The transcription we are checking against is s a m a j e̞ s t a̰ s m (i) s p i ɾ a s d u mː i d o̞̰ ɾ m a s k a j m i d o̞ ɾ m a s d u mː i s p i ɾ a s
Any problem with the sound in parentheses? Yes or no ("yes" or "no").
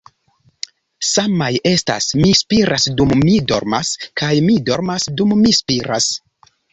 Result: no